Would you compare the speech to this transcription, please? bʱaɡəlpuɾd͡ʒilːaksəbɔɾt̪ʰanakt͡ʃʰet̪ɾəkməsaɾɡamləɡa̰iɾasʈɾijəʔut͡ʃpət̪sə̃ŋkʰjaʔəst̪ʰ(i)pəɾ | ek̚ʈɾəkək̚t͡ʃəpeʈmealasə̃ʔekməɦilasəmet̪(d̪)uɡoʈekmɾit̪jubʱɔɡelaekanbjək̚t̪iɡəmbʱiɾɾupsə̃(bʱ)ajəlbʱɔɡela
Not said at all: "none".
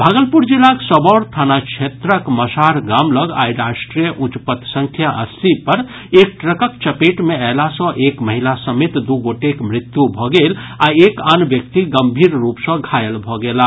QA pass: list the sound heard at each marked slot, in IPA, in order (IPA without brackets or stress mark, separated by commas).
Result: i, d̪, ɡʱ